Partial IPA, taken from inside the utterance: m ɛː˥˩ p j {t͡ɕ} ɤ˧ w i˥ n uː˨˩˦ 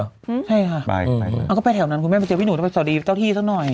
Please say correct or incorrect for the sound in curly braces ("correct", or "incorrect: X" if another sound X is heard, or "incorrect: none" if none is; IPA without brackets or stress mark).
correct